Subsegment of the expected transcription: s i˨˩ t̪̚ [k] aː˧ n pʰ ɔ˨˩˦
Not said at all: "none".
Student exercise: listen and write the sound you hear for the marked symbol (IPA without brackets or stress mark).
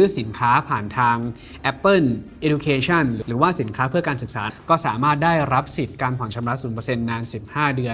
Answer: k